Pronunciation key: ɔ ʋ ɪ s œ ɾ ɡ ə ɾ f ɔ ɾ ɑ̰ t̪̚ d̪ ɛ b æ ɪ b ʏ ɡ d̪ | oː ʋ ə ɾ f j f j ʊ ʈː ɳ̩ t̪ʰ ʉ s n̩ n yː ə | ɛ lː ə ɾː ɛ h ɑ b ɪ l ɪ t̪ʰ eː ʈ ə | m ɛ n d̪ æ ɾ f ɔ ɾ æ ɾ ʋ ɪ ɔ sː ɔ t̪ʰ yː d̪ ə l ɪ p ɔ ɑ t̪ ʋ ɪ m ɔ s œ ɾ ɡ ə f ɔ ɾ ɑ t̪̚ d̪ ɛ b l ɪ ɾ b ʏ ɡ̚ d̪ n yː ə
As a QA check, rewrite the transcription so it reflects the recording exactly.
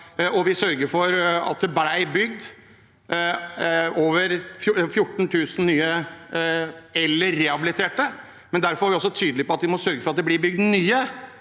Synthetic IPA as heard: ɔ ʋ ɪ s œ ɾ ɡ ə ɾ f ɔ ɾ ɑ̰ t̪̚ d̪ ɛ b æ ɪ b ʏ ɡ d̪ | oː ʋ ə ɾ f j f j ʊ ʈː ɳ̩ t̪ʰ ʉː s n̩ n yː ə | ɛ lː ə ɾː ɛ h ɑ b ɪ l ɪ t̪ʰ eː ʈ ə | m ɛ n d̪ æ ɾ f ɔ ɾ æ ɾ ʋ ɪ ɔ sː ɔ t̪ʰ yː d̪ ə l ɪ p ɔ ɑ t̪ ʋ ɪ m ɔ s œ ɾ ɡ ə f ɔ ɾ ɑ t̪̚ d̪ ɛ b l ɪ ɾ b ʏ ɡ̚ d̪ n yː ə